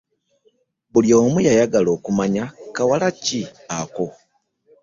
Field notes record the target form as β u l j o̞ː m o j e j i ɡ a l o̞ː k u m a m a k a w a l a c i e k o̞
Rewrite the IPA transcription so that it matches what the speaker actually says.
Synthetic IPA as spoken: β u l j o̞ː m u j a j a ɡ a l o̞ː k u m a ɲ a k a w a l a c i a k o̞